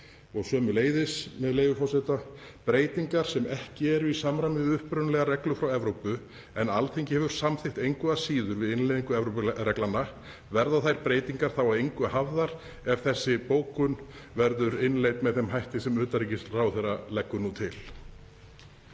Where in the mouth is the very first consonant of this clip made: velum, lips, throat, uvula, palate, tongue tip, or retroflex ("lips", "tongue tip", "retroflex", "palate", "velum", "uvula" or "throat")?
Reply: velum